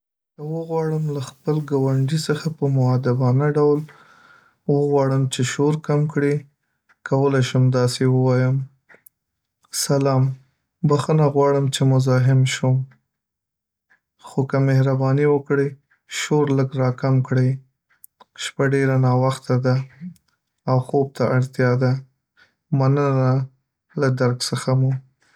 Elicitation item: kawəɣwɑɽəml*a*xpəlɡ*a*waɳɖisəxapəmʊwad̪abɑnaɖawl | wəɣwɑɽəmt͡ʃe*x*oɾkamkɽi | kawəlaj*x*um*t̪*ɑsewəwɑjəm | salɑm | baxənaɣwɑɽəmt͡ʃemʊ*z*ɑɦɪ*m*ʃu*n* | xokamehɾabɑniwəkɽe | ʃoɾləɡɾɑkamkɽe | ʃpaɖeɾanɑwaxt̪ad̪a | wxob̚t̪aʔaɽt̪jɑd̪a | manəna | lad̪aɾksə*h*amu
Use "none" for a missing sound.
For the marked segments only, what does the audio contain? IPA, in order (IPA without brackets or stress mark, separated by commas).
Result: a, a, ʃ, ʃ, d̪, z, m, m, x